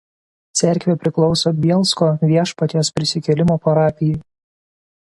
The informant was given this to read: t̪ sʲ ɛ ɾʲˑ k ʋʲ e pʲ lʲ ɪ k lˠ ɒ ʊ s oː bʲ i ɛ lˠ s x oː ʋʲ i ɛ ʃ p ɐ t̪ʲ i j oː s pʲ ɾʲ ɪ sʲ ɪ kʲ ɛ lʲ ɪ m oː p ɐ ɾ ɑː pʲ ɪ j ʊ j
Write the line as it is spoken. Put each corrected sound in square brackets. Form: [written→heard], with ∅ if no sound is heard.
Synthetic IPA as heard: t̪ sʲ ɛ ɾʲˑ k ʋʲ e pʲ [lʲ→ɾʲ] ɪ k lˠ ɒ ʊ s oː bʲ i ɛ lˠ s [x→k] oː ʋʲ i ɛ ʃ p ɐ t̪ʲ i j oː s pʲ ɾʲ ɪ sʲ ɪ kʲ ɛ lʲ ɪ m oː p ɐ ɾ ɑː pʲ ɪ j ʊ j